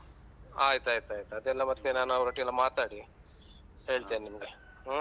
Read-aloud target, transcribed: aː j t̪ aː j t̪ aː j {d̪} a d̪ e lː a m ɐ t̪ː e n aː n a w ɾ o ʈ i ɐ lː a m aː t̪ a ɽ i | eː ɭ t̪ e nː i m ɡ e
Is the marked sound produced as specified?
no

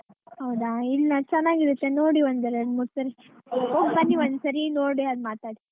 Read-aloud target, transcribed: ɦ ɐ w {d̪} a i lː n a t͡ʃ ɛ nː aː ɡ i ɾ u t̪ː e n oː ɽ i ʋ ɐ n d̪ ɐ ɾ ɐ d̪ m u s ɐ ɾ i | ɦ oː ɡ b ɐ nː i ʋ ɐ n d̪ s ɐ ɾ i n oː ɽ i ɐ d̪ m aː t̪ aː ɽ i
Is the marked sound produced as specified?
yes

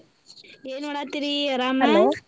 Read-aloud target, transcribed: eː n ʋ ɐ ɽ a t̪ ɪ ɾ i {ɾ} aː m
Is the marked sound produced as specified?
yes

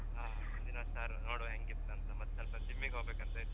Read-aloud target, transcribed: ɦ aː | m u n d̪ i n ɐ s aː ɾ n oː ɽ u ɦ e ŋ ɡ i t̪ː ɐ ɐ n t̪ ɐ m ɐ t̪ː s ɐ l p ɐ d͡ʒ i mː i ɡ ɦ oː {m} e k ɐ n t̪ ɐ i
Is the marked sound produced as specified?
no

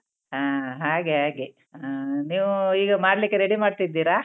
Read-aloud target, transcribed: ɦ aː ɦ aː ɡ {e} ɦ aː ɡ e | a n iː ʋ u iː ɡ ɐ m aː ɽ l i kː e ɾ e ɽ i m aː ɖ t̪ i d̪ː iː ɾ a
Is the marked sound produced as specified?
yes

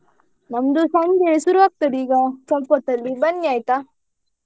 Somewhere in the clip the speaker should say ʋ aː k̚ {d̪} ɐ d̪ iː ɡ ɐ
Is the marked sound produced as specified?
no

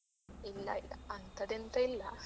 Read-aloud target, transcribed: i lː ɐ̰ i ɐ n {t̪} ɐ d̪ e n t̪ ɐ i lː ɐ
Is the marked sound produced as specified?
yes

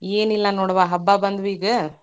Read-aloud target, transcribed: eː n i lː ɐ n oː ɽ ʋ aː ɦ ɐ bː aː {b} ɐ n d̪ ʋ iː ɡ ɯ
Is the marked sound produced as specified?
yes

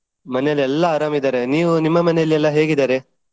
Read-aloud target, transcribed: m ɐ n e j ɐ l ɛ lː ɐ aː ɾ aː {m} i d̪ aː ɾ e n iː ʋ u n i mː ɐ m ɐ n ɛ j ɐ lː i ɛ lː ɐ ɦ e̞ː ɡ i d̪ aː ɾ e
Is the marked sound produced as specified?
yes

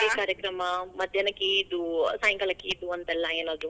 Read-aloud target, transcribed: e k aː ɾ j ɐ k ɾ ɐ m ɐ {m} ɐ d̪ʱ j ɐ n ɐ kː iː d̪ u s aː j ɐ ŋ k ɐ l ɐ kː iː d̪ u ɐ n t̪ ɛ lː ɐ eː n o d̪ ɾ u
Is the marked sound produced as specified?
yes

